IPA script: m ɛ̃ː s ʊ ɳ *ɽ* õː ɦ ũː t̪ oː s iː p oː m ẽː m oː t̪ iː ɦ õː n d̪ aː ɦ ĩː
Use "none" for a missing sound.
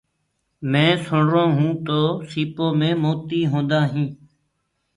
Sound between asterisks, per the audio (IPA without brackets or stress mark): ɾ